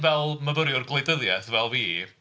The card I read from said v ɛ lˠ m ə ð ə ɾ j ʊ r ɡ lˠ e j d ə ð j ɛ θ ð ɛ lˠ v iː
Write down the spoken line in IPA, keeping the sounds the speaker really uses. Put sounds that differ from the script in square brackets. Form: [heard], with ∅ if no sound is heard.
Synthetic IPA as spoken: v ɛ lˠ m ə [v] ə ɾ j ʊ r ɡ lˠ e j d ə ð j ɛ θ [v] ɛ lˠ v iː